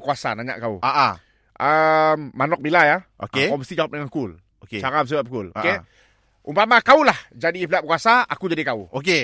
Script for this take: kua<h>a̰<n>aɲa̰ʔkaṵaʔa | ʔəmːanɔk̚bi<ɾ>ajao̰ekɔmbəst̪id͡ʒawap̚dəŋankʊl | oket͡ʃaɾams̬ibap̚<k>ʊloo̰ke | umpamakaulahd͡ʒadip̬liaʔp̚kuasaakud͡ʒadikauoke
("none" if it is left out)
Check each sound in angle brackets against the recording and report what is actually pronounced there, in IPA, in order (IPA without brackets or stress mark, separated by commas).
s, n, l, k